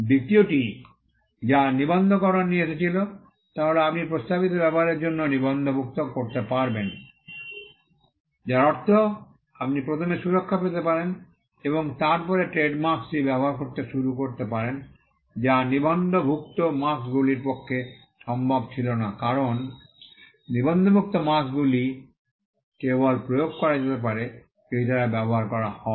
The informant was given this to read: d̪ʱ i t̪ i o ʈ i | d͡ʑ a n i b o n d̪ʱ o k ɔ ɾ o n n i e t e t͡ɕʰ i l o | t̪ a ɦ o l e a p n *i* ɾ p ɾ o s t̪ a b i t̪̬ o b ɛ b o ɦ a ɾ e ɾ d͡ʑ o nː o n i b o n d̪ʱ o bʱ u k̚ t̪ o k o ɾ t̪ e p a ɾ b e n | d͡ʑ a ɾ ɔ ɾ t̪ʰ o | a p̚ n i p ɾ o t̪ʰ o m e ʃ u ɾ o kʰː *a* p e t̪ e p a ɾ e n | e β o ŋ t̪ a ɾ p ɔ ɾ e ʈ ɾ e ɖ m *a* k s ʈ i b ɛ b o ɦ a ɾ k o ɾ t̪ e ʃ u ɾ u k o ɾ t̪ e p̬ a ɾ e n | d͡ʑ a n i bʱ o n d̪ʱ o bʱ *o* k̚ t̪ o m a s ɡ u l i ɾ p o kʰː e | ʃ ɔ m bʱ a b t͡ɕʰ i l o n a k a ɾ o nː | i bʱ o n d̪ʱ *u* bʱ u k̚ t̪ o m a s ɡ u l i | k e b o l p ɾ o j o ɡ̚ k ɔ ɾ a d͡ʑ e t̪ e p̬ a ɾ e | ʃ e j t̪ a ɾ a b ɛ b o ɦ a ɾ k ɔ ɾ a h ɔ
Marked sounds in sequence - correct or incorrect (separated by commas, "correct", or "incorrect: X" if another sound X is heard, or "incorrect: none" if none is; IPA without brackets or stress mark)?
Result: correct, correct, correct, incorrect: u, incorrect: o